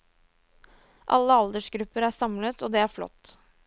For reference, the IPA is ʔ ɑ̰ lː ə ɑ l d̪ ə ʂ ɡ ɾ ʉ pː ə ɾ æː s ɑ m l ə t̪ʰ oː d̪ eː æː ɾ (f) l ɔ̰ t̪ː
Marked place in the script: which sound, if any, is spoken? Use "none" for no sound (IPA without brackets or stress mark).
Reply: f